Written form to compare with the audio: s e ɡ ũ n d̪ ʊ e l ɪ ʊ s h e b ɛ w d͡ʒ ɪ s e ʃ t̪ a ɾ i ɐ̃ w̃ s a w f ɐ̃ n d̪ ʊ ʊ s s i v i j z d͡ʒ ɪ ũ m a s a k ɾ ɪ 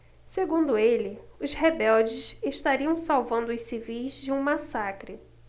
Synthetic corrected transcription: s e ɡ ũ n d̪ ʊ e l ɪ ʊ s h e b ɛ w d͡ʒ ɪ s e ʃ t̪ a ɾ i ɐ̃ w̃ s a w v ɐ̃ n d̪ ʊ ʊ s s i v i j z d͡ʒ ɪ ũ m a s a k ɾ ɪ